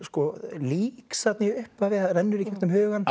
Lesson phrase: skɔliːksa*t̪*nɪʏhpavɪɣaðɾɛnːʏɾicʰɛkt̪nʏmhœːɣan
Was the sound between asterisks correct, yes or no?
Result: yes